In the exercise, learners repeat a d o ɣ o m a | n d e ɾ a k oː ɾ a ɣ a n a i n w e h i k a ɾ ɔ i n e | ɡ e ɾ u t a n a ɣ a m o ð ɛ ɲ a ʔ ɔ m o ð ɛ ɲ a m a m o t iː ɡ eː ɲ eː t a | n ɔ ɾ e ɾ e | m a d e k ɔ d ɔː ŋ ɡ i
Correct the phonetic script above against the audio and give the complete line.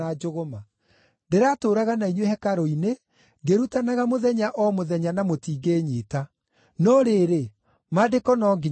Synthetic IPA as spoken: a d͡ʒ o ɣ o m a | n d e ɾ a t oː ɾ a ɣ a n a i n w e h ɛ k a ɾ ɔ i n e | ɡ e ɾ u t a n a ɣ a m o ð ɛ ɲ a ʔ ɔ m o ð ɛ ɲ a n a m o t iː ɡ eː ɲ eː t a | n ɔ ɾ e ɾ e | m a d e k ɔ n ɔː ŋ ɡ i